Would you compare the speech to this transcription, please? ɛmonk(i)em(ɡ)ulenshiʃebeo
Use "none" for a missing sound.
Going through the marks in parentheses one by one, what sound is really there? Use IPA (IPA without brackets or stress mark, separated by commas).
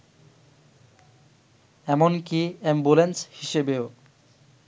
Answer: i, b